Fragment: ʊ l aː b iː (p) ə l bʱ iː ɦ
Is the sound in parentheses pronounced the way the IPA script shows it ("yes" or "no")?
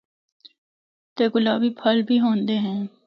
no